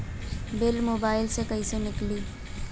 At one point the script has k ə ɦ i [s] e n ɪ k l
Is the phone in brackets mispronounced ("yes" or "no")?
no